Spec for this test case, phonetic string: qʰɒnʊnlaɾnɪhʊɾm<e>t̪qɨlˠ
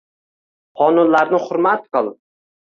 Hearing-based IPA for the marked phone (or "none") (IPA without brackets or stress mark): a